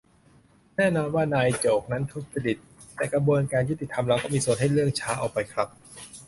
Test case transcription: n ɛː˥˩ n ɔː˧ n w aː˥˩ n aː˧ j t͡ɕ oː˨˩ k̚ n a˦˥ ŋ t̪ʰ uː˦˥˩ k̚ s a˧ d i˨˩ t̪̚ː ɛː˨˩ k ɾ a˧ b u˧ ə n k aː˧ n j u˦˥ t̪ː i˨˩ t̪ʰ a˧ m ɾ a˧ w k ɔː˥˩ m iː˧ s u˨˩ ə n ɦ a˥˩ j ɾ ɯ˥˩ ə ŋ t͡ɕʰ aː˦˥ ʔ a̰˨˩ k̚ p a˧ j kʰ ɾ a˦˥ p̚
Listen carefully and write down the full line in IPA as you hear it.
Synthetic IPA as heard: n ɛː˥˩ n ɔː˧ n w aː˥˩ n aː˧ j t͡ɕ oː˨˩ k̚ n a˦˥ n t̪ʰ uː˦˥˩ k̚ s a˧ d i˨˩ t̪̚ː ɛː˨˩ k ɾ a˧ b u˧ ə n k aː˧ n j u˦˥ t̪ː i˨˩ t̪ʰ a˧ m ɾ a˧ w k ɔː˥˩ m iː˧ s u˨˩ ə n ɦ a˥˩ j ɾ ɯ˥˩ ə ŋ t͡ɕʰ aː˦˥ ʔ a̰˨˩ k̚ p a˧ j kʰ ɾ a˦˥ p̚

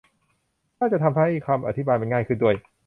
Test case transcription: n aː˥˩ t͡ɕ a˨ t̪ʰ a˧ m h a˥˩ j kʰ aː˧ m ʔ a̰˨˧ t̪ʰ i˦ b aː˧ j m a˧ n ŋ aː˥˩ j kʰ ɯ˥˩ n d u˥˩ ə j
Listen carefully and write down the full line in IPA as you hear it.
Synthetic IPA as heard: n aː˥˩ t͡ɕ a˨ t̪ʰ a˧ m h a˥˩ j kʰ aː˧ m ʔ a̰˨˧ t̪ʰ i˦ b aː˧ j m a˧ n ŋ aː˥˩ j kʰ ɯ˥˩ n d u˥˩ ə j

